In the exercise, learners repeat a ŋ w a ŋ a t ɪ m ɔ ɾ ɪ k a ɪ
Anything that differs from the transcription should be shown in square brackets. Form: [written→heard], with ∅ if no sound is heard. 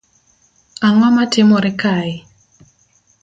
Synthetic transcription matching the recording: a ŋ w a [ŋ→m] a t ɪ m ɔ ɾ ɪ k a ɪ

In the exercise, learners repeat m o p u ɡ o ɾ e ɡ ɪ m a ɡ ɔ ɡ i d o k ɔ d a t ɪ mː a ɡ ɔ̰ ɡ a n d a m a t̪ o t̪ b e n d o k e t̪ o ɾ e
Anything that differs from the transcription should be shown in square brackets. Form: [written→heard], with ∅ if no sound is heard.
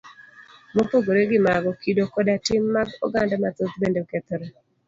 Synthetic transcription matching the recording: m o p [u→o] ɡ o ɾ e ɡ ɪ m a ɡ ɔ [ɡ→k] i d o k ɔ d a t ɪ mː a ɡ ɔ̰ ɡ a n d a m a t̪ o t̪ b e n d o k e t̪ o ɾ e

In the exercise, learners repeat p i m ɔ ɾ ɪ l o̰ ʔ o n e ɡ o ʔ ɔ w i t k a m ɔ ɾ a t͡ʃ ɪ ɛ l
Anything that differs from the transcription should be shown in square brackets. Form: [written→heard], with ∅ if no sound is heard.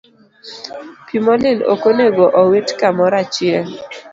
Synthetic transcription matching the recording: p i m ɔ [ɾ→l] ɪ l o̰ [ʔ→k] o n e ɡ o ʔ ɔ w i t k a m ɔ ɾ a t͡ʃ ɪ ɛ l

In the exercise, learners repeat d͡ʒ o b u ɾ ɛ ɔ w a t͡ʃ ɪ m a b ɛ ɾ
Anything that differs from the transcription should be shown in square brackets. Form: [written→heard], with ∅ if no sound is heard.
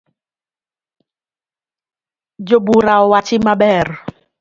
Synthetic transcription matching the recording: d͡ʒ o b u ɾ [ɛ→a] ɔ w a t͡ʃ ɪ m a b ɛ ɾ

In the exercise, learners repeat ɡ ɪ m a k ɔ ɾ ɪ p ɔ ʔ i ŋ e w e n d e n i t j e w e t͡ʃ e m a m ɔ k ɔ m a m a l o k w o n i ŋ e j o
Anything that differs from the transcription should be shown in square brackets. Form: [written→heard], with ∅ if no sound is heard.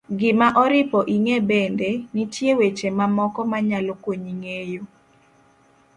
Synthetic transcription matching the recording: ɡ ɪ m a [k→ʔ] ɔ ɾ ɪ p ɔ ʔ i ŋ e [w→b] e n d e n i t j e w e t͡ʃ e m a m ɔ k ɔ m a [m→ɲ] a l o k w o [n→ɲ] i ŋ e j o

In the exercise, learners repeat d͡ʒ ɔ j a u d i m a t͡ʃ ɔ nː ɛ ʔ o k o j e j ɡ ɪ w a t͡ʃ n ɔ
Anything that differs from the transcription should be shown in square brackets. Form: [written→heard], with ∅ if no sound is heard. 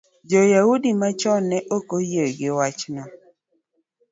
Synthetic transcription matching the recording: d͡ʒ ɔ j a u d i m a t͡ʃ ɔ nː ɛ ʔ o k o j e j ɡ ɪ w a t͡ʃ n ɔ

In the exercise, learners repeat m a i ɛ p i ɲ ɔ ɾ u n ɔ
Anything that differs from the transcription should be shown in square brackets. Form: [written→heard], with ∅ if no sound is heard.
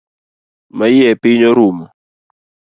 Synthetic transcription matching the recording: m a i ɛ p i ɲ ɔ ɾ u [n→m] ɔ

